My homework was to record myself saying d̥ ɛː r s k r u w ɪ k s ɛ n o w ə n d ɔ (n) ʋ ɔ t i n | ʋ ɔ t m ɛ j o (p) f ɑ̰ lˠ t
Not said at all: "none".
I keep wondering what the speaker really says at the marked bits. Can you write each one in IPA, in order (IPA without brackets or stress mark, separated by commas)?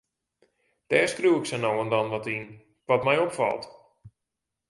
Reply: n, p